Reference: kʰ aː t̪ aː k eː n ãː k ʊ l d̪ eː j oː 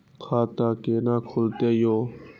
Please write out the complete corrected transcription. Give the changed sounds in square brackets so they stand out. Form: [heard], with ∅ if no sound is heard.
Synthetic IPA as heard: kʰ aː t̪ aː k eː n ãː [kʰ] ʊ l [t̪] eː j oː